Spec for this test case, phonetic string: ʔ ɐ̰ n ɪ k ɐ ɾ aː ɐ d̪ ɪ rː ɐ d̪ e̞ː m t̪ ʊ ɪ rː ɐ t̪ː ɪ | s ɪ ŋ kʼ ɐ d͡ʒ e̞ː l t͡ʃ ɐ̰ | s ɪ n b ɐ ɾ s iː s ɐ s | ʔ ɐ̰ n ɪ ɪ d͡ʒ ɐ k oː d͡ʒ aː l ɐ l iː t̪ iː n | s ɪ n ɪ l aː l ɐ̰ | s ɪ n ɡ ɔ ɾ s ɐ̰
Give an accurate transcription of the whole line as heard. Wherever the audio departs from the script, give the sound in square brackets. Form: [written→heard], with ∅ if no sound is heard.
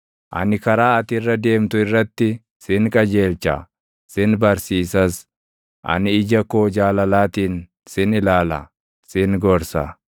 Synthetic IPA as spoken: ʔ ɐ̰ n ɪ k ɐ ɾ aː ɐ [d̪→t̪] ɪ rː ɐ d̪ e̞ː m t̪ ʊ ɪ rː ɐ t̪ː ɪ | s ɪ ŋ kʼ ɐ d͡ʒ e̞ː l t͡ʃ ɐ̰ | s ɪ n b ɐ ɾ s iː s ɐ s | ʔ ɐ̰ n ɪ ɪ d͡ʒ ɐ k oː d͡ʒ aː l ɐ l [iː→aː] t̪ iː n | s ɪ n ɪ l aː l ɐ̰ | s ɪ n ɡ ɔ ɾ s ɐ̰